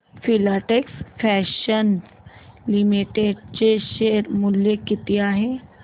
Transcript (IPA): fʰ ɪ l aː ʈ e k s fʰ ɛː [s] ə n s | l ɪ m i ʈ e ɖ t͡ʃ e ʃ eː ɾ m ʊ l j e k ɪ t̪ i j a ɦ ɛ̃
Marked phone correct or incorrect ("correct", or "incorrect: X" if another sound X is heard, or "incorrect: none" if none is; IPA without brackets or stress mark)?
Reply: incorrect: ʃ